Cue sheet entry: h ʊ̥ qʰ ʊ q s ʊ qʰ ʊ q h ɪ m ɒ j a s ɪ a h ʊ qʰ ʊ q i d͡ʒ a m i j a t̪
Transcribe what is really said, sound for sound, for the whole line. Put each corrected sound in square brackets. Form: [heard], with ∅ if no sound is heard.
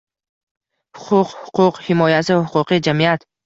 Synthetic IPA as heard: h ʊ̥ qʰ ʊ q [h] ʊ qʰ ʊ q h ɪ m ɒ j a s ɪ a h ʊ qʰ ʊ q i d͡ʒ a m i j a t̪